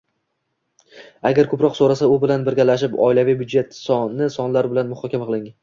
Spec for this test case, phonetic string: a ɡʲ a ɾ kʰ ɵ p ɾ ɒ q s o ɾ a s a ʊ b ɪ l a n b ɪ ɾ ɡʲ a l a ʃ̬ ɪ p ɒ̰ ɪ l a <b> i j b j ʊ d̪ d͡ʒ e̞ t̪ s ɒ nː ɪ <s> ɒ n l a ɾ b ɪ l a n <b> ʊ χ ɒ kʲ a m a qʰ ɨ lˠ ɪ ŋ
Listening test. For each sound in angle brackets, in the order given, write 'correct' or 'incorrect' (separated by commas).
incorrect, correct, incorrect